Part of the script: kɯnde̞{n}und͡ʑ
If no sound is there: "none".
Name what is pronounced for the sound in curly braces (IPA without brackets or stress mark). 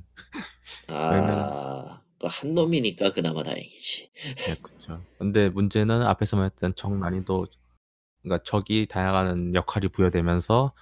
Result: m